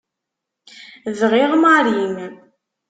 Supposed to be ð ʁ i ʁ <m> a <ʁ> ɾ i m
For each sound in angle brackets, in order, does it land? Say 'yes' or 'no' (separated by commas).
yes, no